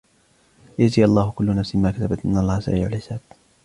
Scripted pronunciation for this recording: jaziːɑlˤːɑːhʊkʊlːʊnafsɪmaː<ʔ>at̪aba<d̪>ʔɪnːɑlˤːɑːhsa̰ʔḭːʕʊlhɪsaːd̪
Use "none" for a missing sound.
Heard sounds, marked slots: k, t̪

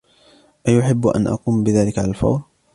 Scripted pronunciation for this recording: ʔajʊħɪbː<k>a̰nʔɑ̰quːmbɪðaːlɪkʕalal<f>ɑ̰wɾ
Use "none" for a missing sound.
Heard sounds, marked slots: ʔ, f

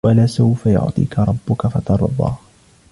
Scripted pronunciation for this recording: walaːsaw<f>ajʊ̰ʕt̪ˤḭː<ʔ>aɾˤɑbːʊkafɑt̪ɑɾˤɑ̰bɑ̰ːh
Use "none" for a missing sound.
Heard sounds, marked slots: f, k

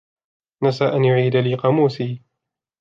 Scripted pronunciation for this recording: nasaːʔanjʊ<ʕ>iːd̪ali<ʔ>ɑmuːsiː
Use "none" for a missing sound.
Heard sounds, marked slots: ʕ, q

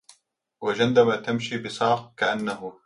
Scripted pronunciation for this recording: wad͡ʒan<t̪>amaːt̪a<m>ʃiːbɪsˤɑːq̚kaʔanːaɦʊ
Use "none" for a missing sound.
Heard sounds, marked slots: d̪, m

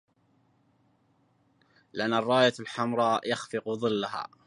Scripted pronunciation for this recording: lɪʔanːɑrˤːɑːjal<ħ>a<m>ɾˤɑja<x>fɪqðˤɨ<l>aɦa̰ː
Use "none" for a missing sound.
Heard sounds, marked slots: ħ, m, x, lː

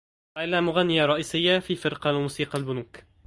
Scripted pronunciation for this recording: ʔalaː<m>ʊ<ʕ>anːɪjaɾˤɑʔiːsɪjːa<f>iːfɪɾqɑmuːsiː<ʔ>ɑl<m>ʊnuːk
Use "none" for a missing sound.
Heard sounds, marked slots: m, ɣ, f, q, b

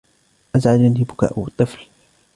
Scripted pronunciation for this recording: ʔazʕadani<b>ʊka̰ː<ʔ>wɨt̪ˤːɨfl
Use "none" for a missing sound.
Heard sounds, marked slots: b, ʔ

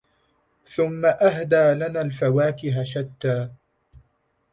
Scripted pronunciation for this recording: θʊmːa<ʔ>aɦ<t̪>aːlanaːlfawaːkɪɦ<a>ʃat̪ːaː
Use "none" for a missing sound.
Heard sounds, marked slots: ʔ, d̪, a

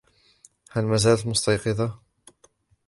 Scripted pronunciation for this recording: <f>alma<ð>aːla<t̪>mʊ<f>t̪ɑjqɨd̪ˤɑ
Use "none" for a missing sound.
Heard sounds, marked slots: h, z, t̪, s

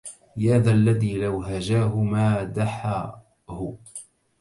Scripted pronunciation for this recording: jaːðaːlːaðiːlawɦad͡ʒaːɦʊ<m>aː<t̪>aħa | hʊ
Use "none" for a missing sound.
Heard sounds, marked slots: m, d̪

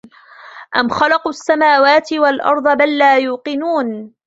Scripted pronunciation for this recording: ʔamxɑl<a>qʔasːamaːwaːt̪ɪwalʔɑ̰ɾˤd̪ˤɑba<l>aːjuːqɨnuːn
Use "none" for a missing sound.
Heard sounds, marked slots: ɑ, lː

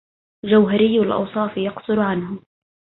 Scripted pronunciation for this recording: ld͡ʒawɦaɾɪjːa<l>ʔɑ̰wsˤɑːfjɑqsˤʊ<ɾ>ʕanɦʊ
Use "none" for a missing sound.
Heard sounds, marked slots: l, ɾ

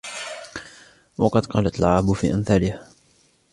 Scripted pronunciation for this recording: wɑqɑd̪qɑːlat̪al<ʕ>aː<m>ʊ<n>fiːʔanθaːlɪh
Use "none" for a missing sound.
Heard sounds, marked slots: ʕ, b, none

